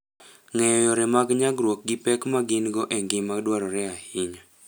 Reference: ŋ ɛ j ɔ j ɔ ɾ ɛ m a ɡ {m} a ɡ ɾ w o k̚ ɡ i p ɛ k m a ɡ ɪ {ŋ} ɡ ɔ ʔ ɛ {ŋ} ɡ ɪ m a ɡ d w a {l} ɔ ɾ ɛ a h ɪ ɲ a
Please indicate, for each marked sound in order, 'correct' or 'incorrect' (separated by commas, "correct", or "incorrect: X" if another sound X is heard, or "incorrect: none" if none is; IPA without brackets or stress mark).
incorrect: ɲ, incorrect: n, correct, incorrect: ɾ